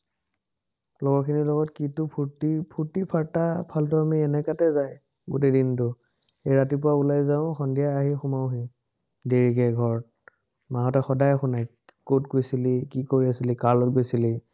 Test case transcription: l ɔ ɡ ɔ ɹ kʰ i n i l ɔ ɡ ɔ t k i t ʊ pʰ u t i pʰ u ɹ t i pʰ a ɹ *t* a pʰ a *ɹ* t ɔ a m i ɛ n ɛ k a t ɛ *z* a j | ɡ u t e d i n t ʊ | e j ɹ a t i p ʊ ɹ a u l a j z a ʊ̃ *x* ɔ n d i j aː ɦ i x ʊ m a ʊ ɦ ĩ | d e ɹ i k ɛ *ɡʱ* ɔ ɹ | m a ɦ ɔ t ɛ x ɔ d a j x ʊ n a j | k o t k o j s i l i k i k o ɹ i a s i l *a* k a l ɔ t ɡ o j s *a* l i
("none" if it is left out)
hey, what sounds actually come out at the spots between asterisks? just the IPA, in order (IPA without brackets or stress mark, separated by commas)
t, l, z, x, ɡʱ, i, i